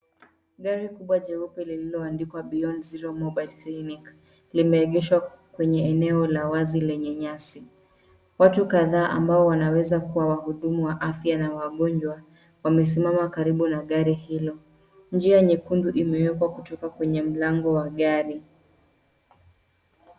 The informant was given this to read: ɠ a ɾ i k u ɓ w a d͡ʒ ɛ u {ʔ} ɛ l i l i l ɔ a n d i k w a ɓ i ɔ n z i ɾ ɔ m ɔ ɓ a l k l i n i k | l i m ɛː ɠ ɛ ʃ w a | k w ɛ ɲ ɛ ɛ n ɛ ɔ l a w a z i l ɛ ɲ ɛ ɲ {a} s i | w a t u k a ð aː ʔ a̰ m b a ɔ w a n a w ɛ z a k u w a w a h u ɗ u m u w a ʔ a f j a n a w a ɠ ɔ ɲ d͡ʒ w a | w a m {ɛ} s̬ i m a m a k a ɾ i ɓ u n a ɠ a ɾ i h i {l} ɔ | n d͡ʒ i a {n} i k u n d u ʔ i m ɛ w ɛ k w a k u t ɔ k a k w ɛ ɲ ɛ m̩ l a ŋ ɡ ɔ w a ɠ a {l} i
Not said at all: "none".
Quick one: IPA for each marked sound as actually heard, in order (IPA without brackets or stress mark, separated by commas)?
p, a, ɛ, l, ɲ, ɾ